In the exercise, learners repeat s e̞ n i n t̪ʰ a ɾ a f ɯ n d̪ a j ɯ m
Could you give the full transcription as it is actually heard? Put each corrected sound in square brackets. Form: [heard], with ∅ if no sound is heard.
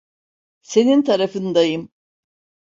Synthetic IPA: s e̞ n i n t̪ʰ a ɾ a f ɯ n d̪ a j ɯ m